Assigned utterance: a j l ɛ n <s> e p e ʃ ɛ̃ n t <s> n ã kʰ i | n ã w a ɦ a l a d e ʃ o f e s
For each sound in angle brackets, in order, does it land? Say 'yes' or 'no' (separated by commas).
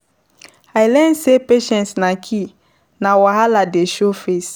yes, yes